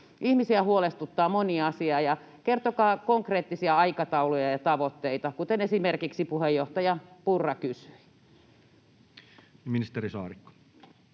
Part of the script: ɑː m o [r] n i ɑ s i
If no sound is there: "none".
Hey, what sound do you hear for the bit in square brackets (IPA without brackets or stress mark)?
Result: none